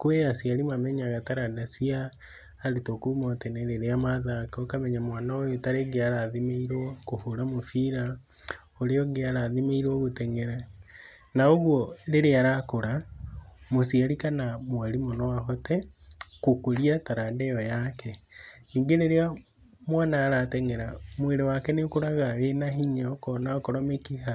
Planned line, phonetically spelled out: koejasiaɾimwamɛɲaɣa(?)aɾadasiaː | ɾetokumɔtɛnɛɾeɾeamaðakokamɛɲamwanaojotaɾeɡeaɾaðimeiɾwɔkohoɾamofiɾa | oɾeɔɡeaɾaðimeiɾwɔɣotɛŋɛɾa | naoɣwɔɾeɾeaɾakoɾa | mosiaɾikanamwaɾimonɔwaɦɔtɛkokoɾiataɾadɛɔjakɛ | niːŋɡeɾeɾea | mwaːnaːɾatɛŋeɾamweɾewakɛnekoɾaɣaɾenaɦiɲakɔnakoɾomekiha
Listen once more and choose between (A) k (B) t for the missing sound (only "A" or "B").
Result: B